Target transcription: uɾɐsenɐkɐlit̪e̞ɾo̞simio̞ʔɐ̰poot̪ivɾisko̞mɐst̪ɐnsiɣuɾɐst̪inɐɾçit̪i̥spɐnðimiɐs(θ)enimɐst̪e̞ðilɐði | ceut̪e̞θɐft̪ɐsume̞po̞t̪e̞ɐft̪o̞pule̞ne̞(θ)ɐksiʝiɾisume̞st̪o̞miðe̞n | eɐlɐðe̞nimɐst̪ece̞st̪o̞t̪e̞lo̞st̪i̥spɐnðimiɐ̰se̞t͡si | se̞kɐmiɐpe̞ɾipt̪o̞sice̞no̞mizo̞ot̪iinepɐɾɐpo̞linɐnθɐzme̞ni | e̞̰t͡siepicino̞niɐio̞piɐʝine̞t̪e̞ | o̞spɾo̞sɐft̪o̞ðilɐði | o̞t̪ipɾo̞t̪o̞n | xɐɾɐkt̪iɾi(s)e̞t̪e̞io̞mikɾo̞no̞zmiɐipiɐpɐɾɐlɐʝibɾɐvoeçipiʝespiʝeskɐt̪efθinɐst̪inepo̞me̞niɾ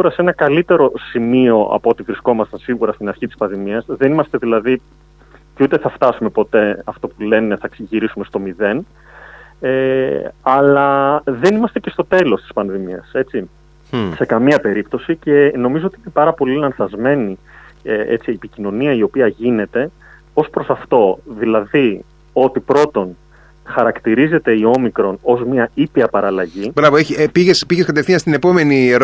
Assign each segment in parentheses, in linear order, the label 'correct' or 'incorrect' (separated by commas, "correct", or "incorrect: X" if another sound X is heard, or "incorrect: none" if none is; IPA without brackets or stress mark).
incorrect: ð, correct, incorrect: z